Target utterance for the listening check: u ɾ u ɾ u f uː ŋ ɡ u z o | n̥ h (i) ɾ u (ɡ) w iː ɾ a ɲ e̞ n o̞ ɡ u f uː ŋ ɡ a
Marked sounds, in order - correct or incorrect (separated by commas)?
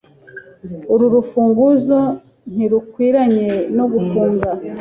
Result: correct, incorrect